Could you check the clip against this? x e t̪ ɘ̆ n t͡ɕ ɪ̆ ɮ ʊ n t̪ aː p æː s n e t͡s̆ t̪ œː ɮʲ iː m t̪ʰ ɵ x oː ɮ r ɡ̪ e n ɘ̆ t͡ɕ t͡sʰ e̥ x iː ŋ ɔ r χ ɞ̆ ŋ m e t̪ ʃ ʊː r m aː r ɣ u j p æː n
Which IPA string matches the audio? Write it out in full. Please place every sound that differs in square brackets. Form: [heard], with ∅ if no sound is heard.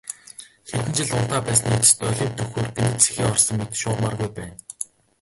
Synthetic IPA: x e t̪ ɘ̆ n t͡ɕ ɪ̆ ɮ ʊ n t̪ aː p æː s n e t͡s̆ t̪ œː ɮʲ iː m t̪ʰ ɵ x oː [∅] r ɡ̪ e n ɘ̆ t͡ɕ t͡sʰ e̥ x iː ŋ ɔ r [s] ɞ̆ ŋ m e t̪ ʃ ʊː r m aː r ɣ u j p æː n